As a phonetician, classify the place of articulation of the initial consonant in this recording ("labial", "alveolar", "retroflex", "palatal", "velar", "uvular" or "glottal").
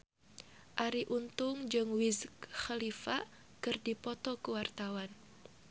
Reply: glottal